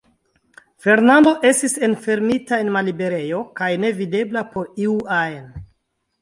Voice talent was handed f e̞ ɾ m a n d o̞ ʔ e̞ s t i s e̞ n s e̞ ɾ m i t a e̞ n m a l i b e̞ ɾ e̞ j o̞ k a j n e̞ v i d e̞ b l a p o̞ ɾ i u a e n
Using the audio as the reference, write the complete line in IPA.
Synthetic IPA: f e̞ ɾ n a n d o̞ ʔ e̞ s t i s e̞ n f e̞ ɾ m i t a e̞ n m a l i b e̞ ɾ e̞ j o̞ k a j n e̞ v i d e̞ b l a p o̞ ɾ i u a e n